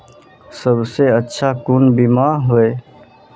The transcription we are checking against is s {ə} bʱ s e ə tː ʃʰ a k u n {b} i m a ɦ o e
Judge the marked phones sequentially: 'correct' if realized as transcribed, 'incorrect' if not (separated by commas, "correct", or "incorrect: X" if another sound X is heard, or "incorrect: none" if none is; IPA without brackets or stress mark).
correct, correct